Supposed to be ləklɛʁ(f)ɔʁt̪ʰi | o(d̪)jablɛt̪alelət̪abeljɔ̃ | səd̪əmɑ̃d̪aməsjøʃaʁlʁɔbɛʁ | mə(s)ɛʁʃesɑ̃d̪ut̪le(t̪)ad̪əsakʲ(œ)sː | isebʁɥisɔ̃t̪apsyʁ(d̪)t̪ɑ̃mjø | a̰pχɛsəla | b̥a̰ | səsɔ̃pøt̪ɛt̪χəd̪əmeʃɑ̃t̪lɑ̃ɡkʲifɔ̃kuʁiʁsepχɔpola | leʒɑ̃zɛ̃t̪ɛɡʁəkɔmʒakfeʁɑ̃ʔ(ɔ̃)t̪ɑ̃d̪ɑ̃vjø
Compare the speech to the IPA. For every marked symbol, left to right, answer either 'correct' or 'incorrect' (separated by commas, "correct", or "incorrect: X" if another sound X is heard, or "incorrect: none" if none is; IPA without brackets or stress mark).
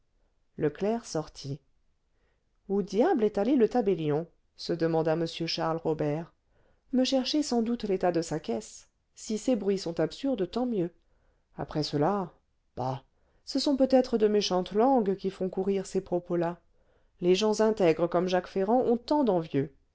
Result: incorrect: s, correct, incorrect: ʃ, correct, incorrect: ɛ, correct, correct